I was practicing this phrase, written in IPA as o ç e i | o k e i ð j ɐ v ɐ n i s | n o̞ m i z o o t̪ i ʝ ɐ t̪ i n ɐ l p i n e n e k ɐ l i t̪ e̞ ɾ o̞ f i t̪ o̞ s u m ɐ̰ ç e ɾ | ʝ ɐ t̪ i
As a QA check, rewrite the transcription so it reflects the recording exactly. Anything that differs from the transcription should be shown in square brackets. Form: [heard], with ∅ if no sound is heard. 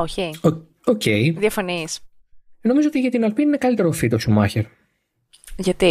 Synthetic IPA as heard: o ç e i | o [c] e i ð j ɐ [f] ɐ n i s | n o̞ m i z o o t̪ i ʝ ɐ t̪ i n ɐ l p i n [i] n e k ɐ l i t̪ e̞ ɾ o̞ f i t̪ o̞ s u m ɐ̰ ç e ɾ | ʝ ɐ t̪ i